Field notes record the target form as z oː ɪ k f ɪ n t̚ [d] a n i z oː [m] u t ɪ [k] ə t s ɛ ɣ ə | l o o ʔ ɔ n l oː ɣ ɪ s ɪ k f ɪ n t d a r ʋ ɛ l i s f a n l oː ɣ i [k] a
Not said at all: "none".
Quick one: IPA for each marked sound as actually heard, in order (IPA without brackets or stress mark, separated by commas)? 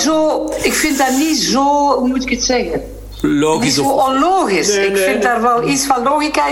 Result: d, m, k, k